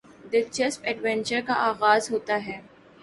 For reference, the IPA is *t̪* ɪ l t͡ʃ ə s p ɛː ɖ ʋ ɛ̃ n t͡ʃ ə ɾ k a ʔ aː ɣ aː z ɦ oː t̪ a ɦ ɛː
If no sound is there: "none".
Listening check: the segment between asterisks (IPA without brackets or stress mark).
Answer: d̪